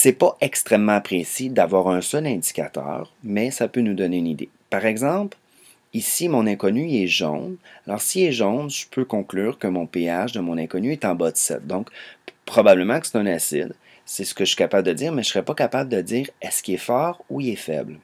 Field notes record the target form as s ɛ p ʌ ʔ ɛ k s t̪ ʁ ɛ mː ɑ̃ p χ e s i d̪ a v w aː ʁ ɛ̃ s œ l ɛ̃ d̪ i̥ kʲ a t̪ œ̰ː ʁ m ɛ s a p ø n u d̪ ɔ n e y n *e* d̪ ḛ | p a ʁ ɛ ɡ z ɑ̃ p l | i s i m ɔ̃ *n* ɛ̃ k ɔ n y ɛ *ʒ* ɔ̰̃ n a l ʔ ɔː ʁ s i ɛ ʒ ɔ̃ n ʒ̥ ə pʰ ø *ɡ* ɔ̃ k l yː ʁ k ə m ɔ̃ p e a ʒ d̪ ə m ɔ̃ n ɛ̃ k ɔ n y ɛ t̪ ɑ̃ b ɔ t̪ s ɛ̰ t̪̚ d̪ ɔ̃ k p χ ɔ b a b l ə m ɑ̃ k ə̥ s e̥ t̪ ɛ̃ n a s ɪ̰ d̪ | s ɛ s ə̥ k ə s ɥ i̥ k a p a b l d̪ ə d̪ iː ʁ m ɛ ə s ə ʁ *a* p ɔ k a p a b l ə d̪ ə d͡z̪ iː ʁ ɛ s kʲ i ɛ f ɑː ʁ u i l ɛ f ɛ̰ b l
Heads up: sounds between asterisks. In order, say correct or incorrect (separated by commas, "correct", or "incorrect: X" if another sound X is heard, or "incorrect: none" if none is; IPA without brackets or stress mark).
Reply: incorrect: i, correct, correct, incorrect: k, incorrect: ɛ